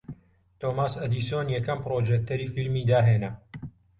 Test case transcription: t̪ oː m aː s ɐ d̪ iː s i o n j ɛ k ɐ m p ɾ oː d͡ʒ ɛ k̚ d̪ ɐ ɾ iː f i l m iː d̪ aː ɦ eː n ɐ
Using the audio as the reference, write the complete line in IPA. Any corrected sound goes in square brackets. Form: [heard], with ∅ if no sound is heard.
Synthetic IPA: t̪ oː m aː s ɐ d̪ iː s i o n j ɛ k ɐ m p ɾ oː d͡ʒ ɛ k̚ [t̪] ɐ ɾ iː f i l m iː d̪ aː ɦ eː n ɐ